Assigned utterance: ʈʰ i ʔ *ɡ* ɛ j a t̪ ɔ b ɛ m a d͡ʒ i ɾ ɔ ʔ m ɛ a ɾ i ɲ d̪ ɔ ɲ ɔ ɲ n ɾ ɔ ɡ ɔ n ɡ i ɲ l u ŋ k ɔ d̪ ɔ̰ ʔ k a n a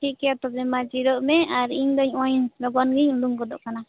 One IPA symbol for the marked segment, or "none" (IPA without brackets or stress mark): k